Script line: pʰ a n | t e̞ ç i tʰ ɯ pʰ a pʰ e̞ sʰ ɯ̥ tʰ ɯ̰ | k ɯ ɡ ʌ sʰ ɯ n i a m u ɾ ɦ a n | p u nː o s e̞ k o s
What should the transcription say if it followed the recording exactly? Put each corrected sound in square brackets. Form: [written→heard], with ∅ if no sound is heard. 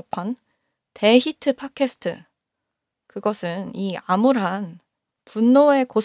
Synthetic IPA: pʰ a n | t e̞ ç i tʰ ɯ pʰ a [pʰ→kʰ] e̞ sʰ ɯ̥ tʰ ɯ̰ | k ɯ ɡ ʌ sʰ ɯ n i a m u ɾ ɦ a n | p u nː o [s→∅] e̞ k o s